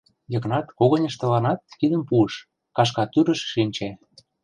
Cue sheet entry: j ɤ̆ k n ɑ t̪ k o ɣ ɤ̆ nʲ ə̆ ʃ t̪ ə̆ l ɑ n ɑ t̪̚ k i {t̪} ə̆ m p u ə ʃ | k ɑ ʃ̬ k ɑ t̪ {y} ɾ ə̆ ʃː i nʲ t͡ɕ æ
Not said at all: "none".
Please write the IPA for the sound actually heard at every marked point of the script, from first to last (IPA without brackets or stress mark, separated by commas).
d̪, y